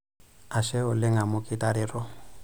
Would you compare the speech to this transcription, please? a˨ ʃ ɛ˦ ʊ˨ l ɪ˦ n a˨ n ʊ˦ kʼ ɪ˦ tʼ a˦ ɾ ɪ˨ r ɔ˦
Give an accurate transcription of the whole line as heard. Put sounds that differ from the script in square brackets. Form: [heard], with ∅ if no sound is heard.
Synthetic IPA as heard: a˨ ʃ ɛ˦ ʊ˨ l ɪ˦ [ŋ] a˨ [m] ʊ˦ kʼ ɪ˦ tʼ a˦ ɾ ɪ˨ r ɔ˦